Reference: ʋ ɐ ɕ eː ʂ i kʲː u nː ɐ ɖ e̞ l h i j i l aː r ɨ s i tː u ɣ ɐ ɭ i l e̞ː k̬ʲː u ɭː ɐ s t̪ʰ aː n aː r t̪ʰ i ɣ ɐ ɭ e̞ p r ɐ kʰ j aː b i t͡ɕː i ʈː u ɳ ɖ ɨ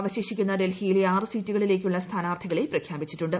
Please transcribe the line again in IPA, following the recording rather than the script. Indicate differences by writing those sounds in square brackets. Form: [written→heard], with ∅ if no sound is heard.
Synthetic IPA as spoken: ʋ ɐ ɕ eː [ʂ→ɕ] i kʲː u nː ɐ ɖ e̞ l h i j i l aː r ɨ s [i→iː] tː u ɣ ɐ ɭ i l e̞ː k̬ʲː u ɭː ɐ s t̪ʰ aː n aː r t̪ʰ i ɣ ɐ ɭ e̞ p r ɐ kʰ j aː b i t͡ɕː i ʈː u ɳ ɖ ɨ